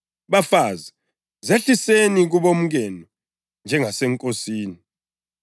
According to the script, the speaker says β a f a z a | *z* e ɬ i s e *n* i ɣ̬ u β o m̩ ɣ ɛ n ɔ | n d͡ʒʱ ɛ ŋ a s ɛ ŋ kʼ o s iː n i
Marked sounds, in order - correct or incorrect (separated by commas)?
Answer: correct, correct